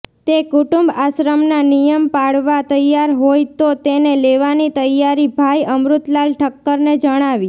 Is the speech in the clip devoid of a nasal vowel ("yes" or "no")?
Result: yes